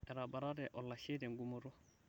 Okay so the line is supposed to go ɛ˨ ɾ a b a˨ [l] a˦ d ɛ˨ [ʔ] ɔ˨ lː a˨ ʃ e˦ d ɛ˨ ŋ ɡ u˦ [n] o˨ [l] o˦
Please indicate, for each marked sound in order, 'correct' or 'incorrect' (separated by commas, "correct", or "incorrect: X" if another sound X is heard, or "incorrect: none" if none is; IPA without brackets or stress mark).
incorrect: ɾ, correct, incorrect: m, incorrect: ɾ